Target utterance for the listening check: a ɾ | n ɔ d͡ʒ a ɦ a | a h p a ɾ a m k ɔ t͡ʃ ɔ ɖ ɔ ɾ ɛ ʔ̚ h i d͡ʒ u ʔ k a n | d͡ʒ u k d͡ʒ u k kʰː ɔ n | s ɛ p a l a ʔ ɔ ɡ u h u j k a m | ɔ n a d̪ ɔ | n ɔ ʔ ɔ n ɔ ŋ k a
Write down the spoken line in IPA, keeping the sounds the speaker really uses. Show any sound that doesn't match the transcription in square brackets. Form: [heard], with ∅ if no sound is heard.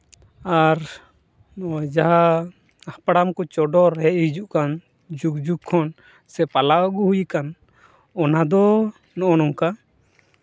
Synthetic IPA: a ɾ | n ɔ d͡ʒ a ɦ a | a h p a [ɽ] a m k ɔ t͡ʃ ɔ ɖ ɔ ɾ ɛ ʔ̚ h i d͡ʒ u ʔ k a n | d͡ʒ u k d͡ʒ u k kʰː ɔ n | s ɛ p a l a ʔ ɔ ɡ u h u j k a [n] | ɔ n a d̪ ɔ | n ɔ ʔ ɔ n ɔ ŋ k a